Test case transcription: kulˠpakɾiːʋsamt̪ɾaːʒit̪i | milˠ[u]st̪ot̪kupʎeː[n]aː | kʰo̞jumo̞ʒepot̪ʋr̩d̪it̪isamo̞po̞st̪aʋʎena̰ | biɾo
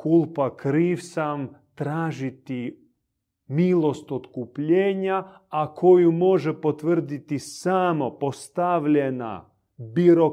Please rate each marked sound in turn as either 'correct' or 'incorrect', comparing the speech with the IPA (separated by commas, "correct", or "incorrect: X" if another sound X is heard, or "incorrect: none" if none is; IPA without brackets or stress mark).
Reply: incorrect: o, incorrect: ɲ